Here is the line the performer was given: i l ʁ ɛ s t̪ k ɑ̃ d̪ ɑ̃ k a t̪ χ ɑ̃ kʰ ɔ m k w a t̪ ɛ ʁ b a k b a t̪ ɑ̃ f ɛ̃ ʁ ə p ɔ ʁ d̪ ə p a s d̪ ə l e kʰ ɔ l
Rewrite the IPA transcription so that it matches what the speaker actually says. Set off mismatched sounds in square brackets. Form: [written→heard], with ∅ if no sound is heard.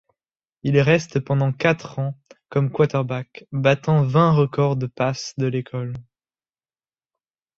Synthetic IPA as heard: i l ʁ ɛ s t̪ [k→p] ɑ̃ d̪ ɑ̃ k a t̪ χ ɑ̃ [kʰ→k] ɔ m k w a t̪ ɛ ʁ b a k b a t̪ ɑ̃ [f→v] ɛ̃ ʁ ə [p→k] ɔ ʁ d̪ ə p a s d̪ ə l e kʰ ɔ l

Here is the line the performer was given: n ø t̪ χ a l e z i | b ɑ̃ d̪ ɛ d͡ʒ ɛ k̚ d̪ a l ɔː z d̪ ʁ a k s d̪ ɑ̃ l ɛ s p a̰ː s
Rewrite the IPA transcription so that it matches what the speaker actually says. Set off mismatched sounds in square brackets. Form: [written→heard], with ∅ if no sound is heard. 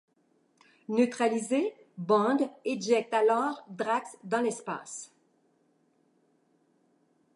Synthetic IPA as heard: n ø t̪ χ a l [e→i] z [i→e] | b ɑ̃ d̪ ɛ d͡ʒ ɛ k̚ [d̪→t̪] a l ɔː [z→ʁ] d̪ ʁ a k s d̪ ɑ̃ l ɛ s p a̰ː s

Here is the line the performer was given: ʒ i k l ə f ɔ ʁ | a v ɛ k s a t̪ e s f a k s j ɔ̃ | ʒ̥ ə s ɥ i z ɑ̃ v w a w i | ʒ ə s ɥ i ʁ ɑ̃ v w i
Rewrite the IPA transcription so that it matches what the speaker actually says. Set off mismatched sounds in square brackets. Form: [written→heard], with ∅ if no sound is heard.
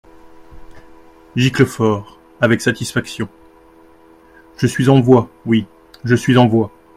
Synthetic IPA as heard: ʒ i k l ə f ɔ ʁ | a v ɛ k s a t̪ [e→i] s f a k s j ɔ̃ | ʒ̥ ə s ɥ i z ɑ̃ v w a w i | ʒ ə s ɥ i [ʁ→z] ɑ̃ v w [i→a]

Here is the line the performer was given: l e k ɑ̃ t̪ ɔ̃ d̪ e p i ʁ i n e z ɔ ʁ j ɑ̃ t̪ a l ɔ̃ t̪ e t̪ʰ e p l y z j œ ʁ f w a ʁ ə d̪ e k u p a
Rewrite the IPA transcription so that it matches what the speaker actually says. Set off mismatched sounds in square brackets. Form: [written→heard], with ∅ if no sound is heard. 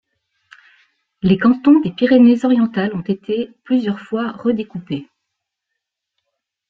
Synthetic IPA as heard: l e k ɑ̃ t̪ ɔ̃ d̪ e p i ʁ [i→e] n e z ɔ ʁ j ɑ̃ t̪ a l ɔ̃ t̪ e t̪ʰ e p l y z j œ ʁ f w a ʁ ə d̪ e k u p [a→e]

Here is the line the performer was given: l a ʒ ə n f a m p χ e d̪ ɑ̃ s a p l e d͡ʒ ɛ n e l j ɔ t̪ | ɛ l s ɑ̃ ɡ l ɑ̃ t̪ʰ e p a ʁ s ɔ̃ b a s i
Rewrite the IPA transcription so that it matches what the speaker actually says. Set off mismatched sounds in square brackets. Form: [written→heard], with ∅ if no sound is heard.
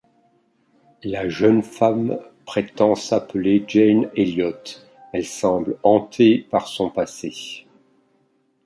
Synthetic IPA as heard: l a ʒ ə n f a m p χ e [d̪→t̪] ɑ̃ s a p l e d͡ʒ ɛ n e l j ɔ t̪ | ɛ l s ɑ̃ [ɡ→b] l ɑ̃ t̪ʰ e p a ʁ s ɔ̃ [b→p] a s [i→e]

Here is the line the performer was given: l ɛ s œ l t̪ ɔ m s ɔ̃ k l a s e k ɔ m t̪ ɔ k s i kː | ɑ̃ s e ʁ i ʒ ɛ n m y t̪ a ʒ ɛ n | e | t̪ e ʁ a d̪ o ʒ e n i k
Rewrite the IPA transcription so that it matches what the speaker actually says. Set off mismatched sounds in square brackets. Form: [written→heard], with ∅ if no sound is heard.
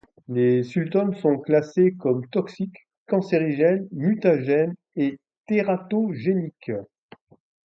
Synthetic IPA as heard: l [ɛ→e] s [œ→y] l t̪ ɔ [m→n] s ɔ̃ k l a s e k ɔ m t̪ ɔ k s i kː | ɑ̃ s e ʁ i ʒ ɛ n m y t̪ a ʒ ɛ n | e | t̪ e ʁ a [d̪→t̪] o ʒ e n i k

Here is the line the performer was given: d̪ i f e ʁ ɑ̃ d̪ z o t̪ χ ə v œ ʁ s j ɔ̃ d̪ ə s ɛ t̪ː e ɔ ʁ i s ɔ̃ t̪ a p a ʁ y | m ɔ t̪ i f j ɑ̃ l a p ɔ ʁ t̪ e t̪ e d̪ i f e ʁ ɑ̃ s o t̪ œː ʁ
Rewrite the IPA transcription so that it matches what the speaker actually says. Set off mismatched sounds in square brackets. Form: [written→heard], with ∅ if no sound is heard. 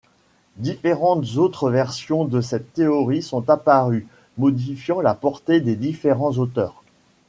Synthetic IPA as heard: d̪ i f e ʁ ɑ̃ [d̪→t̪] z o t̪ χ ə v [œ→ɛ] ʁ s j ɔ̃ d̪ ə s ɛ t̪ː e ɔ ʁ i s ɔ̃ t̪ a p a ʁ y | m ɔ [t̪→d̪] i f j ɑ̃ l a p ɔ ʁ t̪ e [t̪→d̪] e d̪ i f e ʁ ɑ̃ [s→z] o t̪ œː ʁ

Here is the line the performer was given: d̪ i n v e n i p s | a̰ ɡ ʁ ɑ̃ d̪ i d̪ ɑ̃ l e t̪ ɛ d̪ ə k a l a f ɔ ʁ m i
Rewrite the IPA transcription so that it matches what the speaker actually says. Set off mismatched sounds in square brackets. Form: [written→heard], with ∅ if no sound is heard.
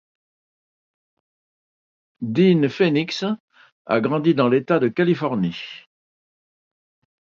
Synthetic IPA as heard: d̪ i n [v→f] e n i [p→k] s | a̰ ɡ ʁ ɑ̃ d̪ i d̪ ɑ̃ l e t̪ [ɛ→a] d̪ ə k a l [a→i] f ɔ ʁ [m→n] i

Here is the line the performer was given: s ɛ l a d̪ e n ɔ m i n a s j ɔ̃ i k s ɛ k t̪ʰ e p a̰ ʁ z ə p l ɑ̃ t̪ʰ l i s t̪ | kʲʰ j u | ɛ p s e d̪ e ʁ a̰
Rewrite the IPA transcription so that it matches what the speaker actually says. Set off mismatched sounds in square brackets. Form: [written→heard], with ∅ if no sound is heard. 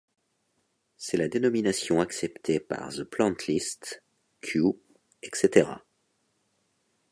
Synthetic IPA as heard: s ɛ l a d̪ e n ɔ m i n a s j ɔ̃ [i→a] k s ɛ [k→p] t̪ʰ e p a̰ ʁ z ə p l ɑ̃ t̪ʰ l i s t̪ | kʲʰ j u | ɛ [p→k] s e [d̪→t̪] e ʁ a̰

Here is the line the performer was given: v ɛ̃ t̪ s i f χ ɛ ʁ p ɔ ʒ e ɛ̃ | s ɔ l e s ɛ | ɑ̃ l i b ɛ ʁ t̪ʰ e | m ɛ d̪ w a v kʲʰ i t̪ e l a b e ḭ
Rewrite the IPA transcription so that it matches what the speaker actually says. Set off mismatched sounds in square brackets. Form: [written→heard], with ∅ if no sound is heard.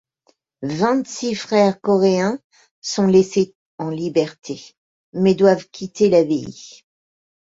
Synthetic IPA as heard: v ɛ̃ t̪ s i f χ ɛ ʁ [p→k] ɔ [ʒ→ʁ] e ɛ̃ | s [ɔ→ɔ̃] l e s [ɛ→e] | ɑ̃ l i b ɛ ʁ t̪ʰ e | m ɛ d̪ w a v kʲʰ i t̪ e l a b e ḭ

